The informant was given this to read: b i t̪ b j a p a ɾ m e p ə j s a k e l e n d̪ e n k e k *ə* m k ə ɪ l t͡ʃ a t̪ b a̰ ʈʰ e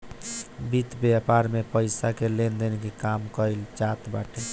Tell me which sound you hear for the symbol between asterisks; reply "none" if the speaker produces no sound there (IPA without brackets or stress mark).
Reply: a